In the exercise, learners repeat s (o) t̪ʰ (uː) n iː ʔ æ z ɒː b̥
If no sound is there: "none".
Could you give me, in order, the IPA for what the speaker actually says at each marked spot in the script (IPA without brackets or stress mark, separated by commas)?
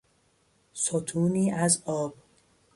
o, uː